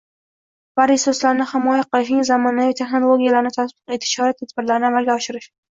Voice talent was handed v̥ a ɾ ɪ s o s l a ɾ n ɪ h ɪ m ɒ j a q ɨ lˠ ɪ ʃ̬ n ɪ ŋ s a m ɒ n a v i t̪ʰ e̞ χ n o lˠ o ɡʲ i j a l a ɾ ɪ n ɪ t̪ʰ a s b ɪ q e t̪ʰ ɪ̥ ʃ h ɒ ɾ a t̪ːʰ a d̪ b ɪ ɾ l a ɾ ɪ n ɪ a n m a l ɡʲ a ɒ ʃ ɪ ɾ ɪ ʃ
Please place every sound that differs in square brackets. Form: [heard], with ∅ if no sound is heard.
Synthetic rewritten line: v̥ a ɾ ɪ s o s l a ɾ n ɪ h ɪ m ɒ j a q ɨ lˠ ɪ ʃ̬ n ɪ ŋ [z] a m ɒ n a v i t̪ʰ e̞ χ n o lˠ o ɡʲ i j a l a ɾ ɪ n ɪ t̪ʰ a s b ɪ q e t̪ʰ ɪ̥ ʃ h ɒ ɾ a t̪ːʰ a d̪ b ɪ ɾ l a ɾ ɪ n ɪ a [∅] m a l ɡʲ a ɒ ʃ ɪ ɾ ɪ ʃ